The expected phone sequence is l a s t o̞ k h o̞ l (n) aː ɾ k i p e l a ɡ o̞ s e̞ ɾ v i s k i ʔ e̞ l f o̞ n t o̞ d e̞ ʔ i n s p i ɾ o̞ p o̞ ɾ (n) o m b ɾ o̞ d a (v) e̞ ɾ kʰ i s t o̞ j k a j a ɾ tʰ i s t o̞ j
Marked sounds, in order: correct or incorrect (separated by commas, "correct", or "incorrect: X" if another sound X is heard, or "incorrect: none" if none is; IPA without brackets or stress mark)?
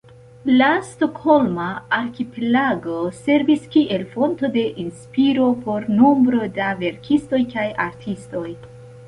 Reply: incorrect: m, correct, correct